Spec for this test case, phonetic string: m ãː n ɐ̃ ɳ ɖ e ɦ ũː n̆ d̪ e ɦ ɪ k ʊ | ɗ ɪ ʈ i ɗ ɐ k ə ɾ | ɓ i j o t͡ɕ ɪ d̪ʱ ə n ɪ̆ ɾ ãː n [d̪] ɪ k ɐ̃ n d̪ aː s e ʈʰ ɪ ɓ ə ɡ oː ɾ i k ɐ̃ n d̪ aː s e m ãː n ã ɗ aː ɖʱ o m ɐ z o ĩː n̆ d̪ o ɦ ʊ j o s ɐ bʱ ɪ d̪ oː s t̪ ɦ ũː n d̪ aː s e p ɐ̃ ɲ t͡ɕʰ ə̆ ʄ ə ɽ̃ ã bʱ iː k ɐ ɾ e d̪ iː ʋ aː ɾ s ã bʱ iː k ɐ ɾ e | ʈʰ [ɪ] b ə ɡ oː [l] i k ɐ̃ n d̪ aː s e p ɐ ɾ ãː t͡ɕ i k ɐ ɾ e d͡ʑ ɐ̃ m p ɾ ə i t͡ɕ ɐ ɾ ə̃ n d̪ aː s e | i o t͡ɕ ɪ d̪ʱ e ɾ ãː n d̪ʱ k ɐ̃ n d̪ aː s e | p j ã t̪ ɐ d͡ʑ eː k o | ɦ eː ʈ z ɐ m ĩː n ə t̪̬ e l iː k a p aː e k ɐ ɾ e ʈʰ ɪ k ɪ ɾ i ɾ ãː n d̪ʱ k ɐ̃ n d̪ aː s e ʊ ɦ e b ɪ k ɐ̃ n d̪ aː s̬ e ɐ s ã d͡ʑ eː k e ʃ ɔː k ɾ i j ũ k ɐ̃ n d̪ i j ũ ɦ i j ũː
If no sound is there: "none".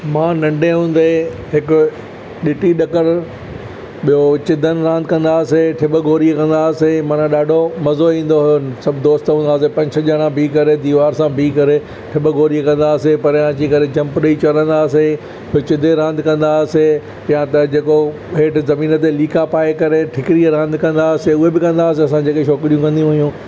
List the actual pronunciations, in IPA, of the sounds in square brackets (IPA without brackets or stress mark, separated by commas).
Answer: d̪, ɪ, ɾ